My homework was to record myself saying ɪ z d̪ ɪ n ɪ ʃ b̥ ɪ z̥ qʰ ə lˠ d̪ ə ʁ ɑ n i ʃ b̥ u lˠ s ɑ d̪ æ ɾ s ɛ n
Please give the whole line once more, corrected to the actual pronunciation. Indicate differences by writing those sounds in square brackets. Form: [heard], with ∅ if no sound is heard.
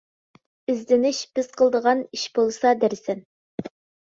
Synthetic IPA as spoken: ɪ z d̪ ɪ n ɪ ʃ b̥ ɪ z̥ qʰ ə lˠ d̪ ə ʁ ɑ n i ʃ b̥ [o] lˠ s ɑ d̪ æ ɾ s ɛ n